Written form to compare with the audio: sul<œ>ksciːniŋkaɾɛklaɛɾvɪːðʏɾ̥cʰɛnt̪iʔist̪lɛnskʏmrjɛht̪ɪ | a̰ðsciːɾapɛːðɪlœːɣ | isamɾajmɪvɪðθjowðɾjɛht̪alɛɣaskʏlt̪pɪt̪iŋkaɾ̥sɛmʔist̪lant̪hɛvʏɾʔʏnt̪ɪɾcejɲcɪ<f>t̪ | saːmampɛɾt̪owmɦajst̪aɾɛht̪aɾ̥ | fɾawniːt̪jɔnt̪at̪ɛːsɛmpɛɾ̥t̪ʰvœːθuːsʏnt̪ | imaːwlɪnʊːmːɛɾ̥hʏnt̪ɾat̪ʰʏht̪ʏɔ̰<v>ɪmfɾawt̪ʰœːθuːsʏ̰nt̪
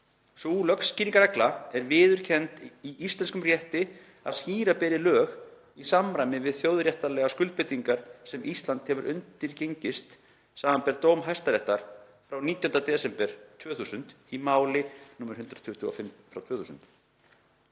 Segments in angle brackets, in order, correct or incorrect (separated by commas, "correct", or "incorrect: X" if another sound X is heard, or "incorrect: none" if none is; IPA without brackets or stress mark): correct, incorrect: s, incorrect: f